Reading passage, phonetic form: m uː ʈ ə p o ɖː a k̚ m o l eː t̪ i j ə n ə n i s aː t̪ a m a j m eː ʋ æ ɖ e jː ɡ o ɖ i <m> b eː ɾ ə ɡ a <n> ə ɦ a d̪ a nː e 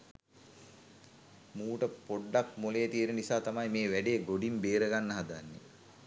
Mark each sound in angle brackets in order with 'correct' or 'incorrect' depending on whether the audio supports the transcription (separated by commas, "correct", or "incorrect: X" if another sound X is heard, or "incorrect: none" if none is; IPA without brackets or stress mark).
correct, incorrect: nː